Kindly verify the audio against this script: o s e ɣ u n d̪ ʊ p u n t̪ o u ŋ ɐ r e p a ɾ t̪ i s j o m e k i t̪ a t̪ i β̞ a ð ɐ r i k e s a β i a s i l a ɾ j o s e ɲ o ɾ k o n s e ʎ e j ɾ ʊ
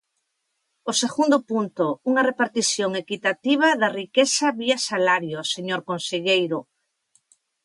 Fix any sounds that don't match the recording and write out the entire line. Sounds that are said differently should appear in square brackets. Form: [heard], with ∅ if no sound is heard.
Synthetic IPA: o s e ɣ u n d̪ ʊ p u n t̪ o u ŋ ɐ r e p a ɾ t̪ i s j o [ŋ] e k i t̪ a t̪ i β̞ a ð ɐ r i k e s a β i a s [a] l a ɾ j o s e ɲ o ɾ k o n s e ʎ e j ɾ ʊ